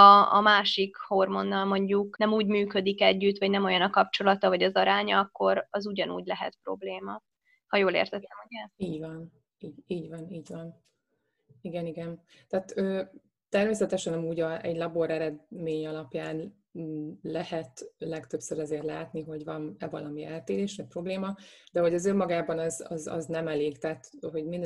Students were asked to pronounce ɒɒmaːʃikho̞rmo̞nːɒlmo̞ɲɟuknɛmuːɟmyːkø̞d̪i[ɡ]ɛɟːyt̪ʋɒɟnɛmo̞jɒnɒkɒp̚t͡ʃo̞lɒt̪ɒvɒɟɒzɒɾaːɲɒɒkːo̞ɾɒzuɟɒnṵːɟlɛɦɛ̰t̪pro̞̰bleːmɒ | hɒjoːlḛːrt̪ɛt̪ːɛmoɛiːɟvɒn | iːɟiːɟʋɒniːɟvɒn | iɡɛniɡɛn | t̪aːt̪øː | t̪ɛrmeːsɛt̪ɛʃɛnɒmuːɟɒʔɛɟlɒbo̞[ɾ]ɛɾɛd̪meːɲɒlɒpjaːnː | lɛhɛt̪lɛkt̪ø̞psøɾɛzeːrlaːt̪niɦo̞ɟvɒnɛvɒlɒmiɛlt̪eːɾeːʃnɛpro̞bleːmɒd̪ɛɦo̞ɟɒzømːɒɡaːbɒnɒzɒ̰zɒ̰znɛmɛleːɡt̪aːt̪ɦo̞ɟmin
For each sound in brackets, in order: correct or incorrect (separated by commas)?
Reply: incorrect, correct